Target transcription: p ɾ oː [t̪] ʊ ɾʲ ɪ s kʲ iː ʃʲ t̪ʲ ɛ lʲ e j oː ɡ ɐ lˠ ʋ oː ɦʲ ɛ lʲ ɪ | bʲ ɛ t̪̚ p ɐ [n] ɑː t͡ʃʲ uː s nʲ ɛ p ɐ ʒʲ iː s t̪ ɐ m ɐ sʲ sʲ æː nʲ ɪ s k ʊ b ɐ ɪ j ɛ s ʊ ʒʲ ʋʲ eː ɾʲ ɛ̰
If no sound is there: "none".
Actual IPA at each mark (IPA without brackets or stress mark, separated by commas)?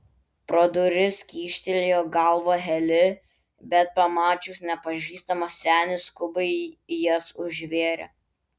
d̪, m